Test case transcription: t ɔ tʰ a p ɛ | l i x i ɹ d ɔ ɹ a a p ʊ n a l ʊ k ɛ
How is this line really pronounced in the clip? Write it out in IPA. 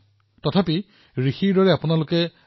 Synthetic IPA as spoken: t ɔ tʰ a p i | ɹ i x i ɹ d ɔ ɹ ɛ a p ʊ n a l ʊ k ɛ